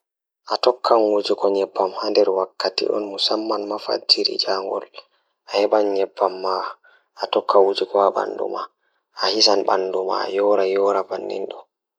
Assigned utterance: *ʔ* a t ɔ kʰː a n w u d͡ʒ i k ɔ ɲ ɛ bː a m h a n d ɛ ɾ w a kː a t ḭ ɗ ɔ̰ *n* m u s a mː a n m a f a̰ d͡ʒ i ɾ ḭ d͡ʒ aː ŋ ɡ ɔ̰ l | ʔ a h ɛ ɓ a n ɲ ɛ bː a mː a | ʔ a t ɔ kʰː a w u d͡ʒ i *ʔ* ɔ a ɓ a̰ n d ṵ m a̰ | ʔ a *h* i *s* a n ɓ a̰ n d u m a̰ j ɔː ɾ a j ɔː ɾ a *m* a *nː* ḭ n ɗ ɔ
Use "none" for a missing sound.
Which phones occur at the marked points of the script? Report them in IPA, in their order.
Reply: ʔ, n, k, h, s, b, nː

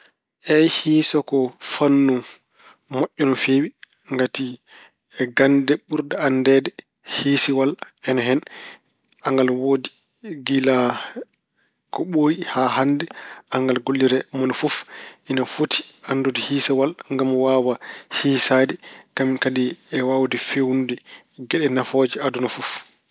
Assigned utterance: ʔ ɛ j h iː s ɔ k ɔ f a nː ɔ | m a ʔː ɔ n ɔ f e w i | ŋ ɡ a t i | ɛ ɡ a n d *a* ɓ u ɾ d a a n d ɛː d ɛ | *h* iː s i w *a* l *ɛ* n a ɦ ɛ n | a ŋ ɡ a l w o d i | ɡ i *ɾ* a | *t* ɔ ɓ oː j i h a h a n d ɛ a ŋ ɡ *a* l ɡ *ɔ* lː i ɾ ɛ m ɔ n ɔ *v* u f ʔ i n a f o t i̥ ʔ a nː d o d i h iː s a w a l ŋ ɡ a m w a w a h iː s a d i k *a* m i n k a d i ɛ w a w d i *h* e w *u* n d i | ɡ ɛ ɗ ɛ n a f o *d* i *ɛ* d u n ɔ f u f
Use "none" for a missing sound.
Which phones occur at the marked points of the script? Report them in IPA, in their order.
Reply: ɛ, h, a, ɛ, l, k, a, o, f, a, f, u, d͡ʒ, a

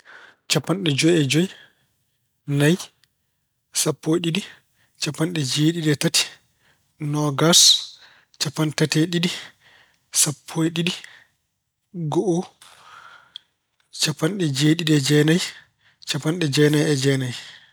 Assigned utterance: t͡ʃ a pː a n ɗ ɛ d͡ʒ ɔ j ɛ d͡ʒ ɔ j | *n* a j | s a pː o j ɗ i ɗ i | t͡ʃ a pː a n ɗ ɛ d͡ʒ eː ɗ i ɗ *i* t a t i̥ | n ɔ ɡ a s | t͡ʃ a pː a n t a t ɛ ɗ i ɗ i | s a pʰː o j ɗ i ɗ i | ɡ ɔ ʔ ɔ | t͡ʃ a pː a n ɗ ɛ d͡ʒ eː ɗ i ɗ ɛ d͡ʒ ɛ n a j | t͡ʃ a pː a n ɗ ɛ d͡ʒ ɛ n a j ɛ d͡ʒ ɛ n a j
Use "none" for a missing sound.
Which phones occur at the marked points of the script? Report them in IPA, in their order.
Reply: n, ɛ

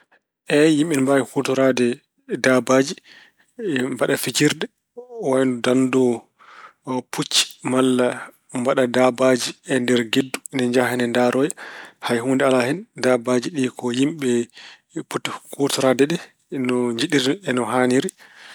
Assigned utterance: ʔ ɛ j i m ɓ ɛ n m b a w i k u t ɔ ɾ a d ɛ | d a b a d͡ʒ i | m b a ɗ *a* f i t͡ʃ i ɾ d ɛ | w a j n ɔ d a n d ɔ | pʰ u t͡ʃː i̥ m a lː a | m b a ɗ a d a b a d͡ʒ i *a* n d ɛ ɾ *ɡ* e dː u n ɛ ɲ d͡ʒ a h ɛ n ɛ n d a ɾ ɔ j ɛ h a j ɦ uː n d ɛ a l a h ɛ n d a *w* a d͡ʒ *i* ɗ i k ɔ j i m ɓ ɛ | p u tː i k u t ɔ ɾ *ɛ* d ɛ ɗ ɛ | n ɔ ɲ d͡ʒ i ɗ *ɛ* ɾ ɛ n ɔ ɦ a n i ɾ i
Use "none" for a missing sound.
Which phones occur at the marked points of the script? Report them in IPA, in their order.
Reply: a, ɛ, ɡ, b, i, a, i

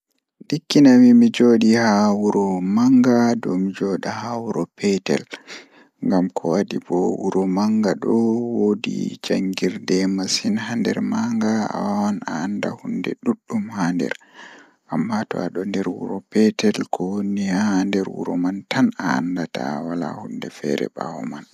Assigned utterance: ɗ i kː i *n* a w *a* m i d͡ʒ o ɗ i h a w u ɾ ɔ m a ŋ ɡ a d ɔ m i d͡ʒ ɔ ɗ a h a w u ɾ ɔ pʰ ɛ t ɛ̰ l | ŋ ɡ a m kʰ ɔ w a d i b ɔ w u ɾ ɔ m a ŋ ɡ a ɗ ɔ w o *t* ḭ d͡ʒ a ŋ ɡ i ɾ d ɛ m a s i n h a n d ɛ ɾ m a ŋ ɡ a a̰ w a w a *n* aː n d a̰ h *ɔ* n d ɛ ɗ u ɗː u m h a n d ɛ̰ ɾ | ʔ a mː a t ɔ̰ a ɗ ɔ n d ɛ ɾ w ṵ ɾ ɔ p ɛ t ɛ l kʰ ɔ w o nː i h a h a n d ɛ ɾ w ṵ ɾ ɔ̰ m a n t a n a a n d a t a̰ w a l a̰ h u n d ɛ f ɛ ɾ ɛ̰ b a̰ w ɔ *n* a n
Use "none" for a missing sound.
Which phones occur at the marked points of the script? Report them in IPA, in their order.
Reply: n, i, d, n, u, m

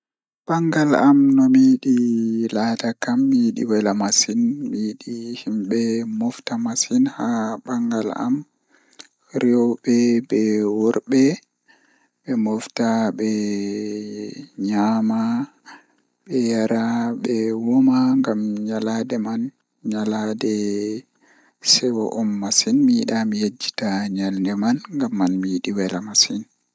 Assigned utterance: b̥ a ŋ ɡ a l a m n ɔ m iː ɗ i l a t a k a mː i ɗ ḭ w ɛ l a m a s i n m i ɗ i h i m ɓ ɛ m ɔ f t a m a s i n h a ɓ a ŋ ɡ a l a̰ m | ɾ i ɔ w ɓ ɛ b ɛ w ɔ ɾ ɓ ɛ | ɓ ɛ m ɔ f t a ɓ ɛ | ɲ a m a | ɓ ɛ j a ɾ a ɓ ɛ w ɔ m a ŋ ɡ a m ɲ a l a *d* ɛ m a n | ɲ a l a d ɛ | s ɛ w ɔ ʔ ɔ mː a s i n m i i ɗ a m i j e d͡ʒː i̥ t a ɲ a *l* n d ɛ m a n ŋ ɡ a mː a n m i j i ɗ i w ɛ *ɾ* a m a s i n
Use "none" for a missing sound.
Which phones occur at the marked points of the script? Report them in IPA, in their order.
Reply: d, l, l

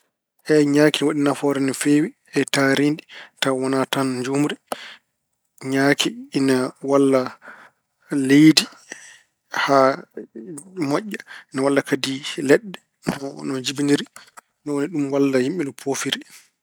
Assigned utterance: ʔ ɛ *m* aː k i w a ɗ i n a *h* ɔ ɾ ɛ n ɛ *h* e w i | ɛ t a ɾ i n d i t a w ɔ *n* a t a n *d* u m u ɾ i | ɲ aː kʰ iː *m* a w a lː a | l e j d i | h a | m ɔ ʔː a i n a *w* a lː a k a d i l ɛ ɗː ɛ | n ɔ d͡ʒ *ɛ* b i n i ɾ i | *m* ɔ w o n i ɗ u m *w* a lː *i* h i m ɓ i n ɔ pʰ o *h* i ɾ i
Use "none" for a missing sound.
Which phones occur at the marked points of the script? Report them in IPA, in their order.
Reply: ɲ, f, f, n, d͡ʒ, n, w, i, n, w, a, f

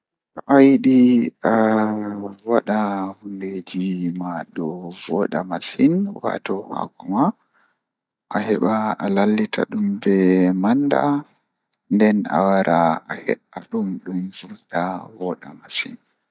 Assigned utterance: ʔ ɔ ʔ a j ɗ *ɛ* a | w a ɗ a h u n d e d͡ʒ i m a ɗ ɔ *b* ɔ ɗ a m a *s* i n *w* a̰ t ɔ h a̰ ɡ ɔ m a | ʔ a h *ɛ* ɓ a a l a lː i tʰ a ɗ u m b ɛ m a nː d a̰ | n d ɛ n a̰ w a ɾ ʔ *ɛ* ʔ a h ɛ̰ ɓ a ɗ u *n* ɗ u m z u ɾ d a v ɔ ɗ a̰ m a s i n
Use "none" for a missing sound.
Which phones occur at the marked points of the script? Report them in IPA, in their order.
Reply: i, v, s, w, ɛ, a, m

